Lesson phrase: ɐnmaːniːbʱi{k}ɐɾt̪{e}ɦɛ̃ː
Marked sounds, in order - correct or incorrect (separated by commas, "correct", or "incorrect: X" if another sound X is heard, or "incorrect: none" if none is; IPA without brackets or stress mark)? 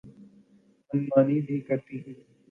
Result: correct, incorrect: i